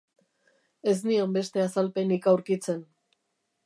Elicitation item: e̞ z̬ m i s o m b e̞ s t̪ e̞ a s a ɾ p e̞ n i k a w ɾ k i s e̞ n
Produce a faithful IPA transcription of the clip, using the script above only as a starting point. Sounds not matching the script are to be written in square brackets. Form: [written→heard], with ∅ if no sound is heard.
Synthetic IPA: e̞ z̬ [m→n] i [s→∅] o m b e̞ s t̪ e̞ a s a [ɾ→l] p e̞ n i k a w ɾ k i [s→t͡s] e̞ n